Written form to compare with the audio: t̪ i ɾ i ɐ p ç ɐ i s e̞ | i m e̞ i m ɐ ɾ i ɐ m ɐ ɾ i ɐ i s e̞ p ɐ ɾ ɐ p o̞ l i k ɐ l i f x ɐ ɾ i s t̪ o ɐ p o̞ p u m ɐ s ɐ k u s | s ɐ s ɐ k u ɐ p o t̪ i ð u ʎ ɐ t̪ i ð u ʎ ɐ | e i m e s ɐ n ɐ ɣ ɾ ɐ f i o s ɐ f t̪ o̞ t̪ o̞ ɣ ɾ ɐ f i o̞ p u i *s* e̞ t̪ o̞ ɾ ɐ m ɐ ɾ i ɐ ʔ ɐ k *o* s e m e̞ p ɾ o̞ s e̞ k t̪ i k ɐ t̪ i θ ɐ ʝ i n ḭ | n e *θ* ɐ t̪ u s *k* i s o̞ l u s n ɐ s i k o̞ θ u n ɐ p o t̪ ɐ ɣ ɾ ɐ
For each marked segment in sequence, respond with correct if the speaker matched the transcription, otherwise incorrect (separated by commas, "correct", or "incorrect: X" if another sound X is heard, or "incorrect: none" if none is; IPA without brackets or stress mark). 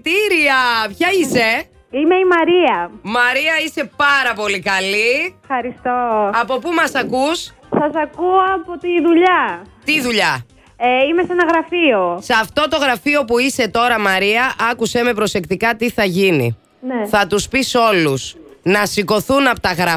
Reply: correct, incorrect: u, correct, incorrect: p